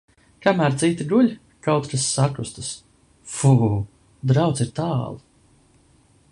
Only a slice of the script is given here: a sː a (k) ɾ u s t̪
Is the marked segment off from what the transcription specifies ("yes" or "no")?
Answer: no